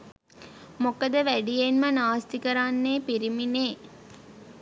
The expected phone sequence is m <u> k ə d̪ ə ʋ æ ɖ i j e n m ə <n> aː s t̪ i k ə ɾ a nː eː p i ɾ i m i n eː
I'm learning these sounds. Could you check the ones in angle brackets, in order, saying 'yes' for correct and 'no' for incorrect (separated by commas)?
no, yes